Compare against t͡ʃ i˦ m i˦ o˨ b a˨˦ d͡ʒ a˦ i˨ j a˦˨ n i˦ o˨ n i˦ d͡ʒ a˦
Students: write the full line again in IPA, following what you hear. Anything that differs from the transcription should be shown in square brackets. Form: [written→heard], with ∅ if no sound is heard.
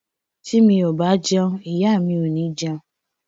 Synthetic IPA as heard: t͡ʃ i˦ m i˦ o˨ b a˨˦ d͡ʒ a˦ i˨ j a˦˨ [n→m] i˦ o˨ n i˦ d͡ʒ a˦